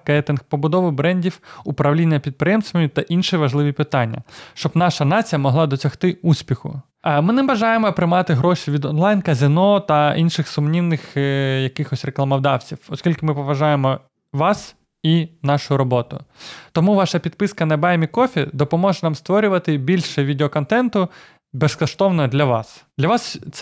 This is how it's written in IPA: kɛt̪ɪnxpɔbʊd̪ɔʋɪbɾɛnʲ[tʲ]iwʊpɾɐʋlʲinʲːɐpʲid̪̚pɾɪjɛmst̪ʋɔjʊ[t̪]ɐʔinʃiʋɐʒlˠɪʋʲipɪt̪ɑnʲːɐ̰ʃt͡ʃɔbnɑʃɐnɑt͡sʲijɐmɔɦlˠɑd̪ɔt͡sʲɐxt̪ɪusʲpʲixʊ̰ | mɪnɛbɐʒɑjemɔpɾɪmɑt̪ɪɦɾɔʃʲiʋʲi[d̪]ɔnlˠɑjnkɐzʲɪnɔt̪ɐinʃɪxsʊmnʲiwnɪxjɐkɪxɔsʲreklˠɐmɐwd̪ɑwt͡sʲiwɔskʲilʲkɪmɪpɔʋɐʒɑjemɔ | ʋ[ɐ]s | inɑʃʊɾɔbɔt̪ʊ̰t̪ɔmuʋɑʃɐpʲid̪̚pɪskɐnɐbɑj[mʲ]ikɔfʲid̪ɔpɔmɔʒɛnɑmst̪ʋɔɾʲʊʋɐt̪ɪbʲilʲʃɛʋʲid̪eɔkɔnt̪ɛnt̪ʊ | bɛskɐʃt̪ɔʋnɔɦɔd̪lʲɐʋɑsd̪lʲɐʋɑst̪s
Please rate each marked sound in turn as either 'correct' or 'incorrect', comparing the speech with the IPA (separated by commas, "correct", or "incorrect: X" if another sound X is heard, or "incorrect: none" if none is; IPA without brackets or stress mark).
incorrect: dʲ, correct, correct, incorrect: ɑ, correct